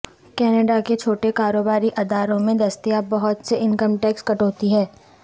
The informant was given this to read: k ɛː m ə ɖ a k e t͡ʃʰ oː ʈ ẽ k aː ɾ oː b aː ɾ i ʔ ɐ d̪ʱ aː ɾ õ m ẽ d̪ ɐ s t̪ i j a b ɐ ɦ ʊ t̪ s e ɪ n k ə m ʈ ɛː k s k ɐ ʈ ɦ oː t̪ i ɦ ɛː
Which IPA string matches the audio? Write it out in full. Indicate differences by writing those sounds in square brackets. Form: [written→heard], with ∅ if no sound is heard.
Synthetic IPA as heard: k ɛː [m→n] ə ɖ a k e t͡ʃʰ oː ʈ [ẽ→e] k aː ɾ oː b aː ɾ i ʔ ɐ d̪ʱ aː ɾ õ m ẽ d̪ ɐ s t̪ i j a b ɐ ɦ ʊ t̪ s e ɪ n k ə m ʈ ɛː k s k ɐ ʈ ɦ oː t̪ i ɦ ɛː